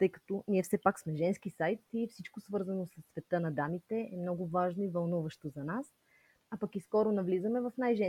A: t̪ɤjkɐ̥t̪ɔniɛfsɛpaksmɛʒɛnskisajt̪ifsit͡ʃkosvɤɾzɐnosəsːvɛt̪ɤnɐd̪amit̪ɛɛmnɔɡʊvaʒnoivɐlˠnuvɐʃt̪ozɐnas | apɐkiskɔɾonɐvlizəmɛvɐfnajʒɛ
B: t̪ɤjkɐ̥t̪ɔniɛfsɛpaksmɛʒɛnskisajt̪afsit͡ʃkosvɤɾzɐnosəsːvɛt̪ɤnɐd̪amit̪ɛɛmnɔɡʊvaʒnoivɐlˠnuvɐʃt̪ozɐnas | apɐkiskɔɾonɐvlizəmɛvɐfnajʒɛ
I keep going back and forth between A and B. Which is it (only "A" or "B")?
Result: A